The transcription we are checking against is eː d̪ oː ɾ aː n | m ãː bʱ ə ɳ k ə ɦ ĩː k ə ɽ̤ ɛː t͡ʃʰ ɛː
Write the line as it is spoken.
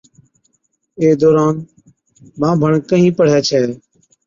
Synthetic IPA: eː d̪ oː ɾ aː n | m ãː bʱ ə ɳ k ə ɦ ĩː p ə ɽ̤ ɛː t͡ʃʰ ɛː